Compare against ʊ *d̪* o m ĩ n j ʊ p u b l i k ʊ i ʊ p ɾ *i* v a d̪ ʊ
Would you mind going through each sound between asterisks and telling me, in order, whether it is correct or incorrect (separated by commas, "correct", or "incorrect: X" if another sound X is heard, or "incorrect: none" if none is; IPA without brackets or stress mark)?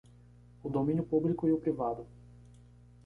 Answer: correct, correct